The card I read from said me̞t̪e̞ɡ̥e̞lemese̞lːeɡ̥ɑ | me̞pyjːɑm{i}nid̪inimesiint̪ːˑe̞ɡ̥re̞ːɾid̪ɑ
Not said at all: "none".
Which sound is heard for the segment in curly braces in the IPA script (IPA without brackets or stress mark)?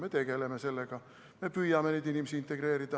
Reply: e